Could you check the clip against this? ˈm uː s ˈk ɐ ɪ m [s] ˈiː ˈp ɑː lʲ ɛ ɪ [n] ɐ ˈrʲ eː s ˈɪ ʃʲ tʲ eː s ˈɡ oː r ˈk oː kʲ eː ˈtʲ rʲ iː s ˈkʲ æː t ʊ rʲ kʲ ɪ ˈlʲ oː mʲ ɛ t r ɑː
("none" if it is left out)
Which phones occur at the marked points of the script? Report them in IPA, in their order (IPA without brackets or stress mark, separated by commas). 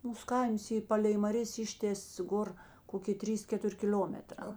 s, m